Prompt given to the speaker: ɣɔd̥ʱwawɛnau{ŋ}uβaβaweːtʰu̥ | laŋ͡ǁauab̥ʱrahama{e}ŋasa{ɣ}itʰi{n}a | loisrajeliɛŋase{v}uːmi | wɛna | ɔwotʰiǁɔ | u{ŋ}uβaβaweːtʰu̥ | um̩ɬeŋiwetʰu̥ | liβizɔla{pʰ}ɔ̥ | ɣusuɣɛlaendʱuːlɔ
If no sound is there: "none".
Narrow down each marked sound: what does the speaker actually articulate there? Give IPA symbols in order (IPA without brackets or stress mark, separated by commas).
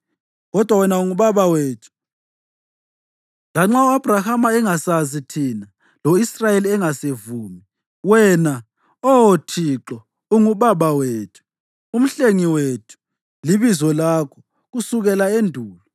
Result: ŋ, ɛ, z, n, v, ŋ, kʰ